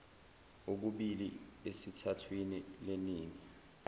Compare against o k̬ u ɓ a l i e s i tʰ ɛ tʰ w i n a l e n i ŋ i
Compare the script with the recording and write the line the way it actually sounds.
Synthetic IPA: o k̬ u ɓ i l i e s i tʰ a tʰ w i n i l e n iː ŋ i